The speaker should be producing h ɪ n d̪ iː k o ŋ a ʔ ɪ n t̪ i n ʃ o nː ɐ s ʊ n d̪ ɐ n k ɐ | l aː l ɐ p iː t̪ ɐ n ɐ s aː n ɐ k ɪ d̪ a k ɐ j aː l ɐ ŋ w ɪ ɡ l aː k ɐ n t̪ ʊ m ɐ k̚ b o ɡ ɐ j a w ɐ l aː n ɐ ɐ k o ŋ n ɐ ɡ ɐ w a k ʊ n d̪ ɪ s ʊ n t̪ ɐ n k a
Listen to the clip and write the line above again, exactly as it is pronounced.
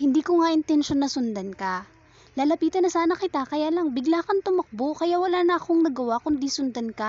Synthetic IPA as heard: h ɪ n d̪ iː k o ŋ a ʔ ɪ n t̪ ɛ n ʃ o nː ɐ s ʊ n d̪ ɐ n k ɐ | l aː l ɐ p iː t̪ ɐ n ɐ s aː n ɐ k ɪ t̪ a k ɐ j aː l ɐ ŋ b ɪ ɡ l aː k ɐ n t̪ ʊ m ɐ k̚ b o k ɐ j a w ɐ l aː n ɐ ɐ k o ŋ n ɐ ɡ ɐ w a k ʊ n d̪ i s ʊ n d̪ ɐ n k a